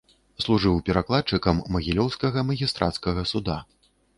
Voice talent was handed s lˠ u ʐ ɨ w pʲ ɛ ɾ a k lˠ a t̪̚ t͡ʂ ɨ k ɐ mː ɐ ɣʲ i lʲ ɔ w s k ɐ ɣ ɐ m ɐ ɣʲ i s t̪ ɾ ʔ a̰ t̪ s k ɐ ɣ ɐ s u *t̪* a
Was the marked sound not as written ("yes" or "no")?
yes